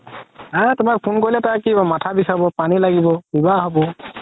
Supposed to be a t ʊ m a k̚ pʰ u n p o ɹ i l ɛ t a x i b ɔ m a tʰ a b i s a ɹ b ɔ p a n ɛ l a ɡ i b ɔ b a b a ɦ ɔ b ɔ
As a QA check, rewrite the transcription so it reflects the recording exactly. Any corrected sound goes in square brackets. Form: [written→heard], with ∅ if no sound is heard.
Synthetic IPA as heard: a t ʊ m a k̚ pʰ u n [p→k] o ɹ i l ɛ t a [x→k] i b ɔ m a tʰ a b i s a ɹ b ɔ p a n [ɛ→i] l a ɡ i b ɔ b [a→i] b a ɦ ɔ b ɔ